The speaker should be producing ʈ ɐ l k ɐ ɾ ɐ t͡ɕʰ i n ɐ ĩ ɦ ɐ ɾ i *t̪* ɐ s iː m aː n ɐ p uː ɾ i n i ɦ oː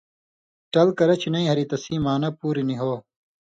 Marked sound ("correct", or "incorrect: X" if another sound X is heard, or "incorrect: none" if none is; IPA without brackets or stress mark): correct